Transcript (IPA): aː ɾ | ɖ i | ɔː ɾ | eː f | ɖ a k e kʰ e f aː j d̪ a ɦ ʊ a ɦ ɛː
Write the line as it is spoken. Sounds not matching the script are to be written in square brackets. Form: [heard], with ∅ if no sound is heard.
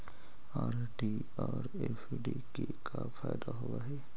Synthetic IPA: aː ɾ | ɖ i | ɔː ɾ | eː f | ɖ [i] k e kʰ [a] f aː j d̪ a ɦ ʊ a ɦ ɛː